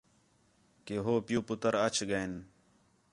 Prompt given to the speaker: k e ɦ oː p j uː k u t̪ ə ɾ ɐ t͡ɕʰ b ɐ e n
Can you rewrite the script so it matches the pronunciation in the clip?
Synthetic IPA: k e ɦ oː p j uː p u t̪ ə ɾ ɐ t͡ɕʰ ɡ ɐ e n